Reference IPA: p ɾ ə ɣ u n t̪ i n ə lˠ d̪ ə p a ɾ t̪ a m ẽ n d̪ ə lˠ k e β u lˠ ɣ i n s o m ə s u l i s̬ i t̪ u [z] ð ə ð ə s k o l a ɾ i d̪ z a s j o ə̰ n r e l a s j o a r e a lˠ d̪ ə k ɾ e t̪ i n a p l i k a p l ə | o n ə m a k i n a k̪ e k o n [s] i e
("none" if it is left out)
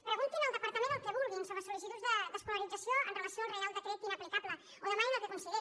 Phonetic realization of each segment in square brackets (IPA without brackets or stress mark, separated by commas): z, s